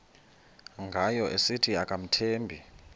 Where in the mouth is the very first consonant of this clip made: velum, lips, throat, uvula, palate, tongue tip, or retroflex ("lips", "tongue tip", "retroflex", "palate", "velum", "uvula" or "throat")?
velum